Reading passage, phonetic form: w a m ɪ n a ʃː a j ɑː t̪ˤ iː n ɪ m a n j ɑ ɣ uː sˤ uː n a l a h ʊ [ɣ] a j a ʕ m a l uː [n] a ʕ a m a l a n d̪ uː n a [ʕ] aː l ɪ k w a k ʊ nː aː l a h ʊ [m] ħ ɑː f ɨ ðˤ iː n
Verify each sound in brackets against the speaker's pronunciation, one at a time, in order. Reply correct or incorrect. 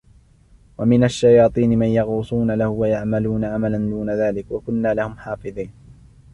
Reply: incorrect, correct, incorrect, correct

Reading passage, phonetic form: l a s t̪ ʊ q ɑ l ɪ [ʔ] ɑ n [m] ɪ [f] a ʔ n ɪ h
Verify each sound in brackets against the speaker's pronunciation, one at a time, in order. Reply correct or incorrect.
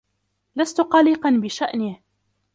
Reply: incorrect, incorrect, incorrect

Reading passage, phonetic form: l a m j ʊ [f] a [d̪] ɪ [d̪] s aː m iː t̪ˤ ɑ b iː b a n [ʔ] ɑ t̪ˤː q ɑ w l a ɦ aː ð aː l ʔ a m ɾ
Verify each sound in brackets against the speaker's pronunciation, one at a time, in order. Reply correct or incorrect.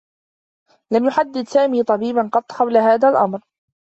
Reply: incorrect, incorrect, correct, incorrect

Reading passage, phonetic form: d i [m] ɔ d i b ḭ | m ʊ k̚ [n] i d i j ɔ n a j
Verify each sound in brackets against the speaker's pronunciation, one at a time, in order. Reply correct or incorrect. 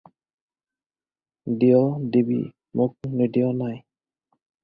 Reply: incorrect, correct

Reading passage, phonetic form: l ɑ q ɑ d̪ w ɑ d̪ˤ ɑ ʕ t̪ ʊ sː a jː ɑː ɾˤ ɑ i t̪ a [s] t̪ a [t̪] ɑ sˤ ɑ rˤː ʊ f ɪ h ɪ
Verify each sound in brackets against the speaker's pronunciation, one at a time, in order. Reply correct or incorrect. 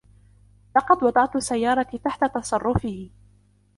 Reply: incorrect, correct

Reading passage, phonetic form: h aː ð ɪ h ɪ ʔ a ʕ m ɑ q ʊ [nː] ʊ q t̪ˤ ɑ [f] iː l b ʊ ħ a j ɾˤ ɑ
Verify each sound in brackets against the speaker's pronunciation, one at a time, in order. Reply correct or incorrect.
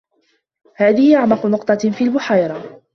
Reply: incorrect, correct

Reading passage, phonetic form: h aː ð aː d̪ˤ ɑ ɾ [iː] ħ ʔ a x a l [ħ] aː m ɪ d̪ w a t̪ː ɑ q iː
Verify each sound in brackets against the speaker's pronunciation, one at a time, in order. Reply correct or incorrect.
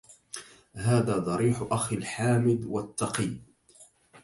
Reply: correct, correct

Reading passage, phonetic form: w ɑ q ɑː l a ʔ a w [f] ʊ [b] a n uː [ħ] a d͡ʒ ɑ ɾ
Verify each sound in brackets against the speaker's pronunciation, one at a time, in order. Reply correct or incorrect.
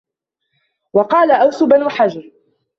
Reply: incorrect, correct, correct

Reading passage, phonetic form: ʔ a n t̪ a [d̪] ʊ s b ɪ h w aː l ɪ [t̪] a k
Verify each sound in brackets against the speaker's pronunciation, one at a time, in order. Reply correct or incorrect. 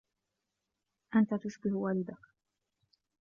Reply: incorrect, incorrect

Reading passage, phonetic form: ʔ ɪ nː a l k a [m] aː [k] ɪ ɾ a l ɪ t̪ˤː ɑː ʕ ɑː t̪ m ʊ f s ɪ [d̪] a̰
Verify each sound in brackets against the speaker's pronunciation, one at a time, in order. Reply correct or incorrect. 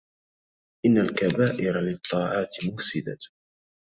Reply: incorrect, incorrect, correct

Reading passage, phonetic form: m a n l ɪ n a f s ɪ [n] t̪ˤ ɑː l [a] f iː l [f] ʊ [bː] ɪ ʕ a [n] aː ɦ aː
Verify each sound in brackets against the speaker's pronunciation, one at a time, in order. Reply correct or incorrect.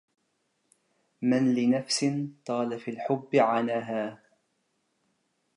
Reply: correct, correct, incorrect, correct, correct

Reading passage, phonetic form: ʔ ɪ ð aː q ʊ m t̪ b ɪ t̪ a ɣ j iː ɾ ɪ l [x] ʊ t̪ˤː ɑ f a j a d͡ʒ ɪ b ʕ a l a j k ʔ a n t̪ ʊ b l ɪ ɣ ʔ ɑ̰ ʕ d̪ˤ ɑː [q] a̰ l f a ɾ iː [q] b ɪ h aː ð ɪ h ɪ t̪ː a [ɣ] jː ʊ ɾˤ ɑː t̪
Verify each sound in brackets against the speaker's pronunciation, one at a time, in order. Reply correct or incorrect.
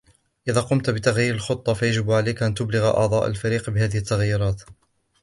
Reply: correct, incorrect, correct, correct

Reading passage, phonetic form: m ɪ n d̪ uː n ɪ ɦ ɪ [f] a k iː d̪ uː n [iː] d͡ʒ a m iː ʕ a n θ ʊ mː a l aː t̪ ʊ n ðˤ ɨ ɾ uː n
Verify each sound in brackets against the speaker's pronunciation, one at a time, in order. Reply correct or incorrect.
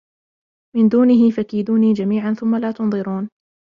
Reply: correct, correct

